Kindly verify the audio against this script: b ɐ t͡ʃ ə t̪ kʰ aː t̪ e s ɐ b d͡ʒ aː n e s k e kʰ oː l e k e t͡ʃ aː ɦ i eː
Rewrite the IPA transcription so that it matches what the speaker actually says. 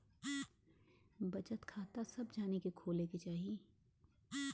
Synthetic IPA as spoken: b ɐ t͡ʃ ə t̪ kʰ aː t̪ a s ɐ b d͡ʒ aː n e k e kʰ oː l e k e t͡ʃ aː ɦ i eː